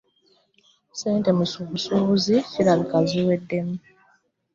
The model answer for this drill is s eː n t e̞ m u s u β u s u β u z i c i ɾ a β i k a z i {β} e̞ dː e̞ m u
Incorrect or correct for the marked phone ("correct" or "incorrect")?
incorrect